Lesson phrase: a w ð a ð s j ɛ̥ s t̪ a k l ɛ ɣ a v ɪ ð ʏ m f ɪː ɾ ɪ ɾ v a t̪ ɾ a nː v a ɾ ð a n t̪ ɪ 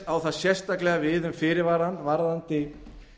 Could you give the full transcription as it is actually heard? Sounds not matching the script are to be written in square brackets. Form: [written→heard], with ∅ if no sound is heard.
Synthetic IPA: a w [ð→θ] a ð s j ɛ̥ s t̪ a k l ɛ ɣ a v ɪ ð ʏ m f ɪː ɾ ɪ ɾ v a [t̪→∅] ɾ a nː v a ɾ ð a n t̪ ɪ